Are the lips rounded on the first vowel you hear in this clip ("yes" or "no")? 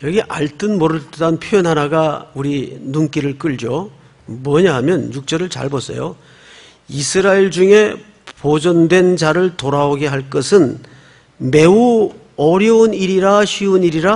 no